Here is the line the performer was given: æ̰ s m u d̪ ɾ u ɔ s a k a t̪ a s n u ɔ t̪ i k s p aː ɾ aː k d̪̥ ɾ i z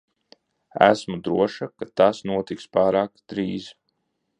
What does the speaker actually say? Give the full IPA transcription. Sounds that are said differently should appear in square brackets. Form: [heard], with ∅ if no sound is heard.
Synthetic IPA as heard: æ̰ s m u d̪ ɾ u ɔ [ʃ] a k a t̪ a s n u ɔ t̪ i k s p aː ɾ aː k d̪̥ ɾ [iː] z

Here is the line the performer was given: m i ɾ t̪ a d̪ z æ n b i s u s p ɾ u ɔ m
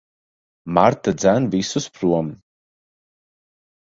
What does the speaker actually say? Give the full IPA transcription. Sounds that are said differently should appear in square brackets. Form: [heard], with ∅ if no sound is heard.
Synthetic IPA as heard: m [a] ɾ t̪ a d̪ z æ n [v] i s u s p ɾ u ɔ m

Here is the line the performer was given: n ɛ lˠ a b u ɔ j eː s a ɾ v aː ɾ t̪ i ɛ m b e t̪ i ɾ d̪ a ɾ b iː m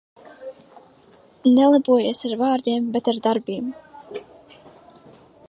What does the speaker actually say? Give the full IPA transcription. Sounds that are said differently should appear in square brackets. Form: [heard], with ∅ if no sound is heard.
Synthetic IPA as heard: n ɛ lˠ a b u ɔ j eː s a ɾ v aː ɾ [d̪] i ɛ m b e t̪ [a] ɾ d̪ a ɾ b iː m

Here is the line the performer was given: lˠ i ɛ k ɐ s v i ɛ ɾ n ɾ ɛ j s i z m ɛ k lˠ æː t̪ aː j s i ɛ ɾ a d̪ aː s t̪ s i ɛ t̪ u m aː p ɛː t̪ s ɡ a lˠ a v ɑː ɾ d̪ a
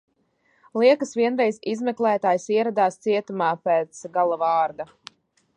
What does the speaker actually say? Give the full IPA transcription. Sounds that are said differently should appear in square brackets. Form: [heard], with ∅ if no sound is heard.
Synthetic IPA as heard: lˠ i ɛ k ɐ s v i ɛ [∅] n ɾ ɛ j [z] i z m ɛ k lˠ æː t̪ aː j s i ɛ ɾ a d̪ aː s t̪ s i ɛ t̪ u m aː p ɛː t̪ s ɡ a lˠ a v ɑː ɾ d̪ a

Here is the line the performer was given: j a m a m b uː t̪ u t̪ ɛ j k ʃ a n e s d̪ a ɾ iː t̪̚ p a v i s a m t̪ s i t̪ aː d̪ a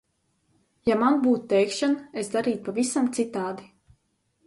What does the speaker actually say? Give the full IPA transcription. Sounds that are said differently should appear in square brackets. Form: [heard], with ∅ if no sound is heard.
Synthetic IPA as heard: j a m a [n] b uː t̪ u t̪ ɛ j k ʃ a n e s d̪ a ɾ iː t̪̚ p a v i s a m t̪ s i t̪ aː d̪ [i]

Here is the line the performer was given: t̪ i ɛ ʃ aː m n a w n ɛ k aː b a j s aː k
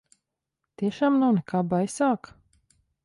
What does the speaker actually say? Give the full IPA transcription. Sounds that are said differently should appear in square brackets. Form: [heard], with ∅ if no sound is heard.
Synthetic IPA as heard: t̪ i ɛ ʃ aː m n a w n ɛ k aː b a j s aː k

